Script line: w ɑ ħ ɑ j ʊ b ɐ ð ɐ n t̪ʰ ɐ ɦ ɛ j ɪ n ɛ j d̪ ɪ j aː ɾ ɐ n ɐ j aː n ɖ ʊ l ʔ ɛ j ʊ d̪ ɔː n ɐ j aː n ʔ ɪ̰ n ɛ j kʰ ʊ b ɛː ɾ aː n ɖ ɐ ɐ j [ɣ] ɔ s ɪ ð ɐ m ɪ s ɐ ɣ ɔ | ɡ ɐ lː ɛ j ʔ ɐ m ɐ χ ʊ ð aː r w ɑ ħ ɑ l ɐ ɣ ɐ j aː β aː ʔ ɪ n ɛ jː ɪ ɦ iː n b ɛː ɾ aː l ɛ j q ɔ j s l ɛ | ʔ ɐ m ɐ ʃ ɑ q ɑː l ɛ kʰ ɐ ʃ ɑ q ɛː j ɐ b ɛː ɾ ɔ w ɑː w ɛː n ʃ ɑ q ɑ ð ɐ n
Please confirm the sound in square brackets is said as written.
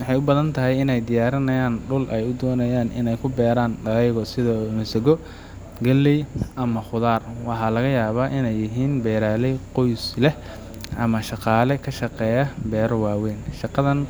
yes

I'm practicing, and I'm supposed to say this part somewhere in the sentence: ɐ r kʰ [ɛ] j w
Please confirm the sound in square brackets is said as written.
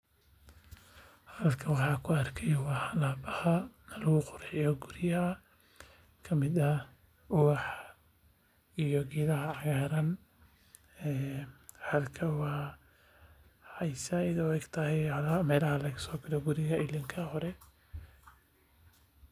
yes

